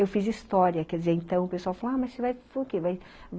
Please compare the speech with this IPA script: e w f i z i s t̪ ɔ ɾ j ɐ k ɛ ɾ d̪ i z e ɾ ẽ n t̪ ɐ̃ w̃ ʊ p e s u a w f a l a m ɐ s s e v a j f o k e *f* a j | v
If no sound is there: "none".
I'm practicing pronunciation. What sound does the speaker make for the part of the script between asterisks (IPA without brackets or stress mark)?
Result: v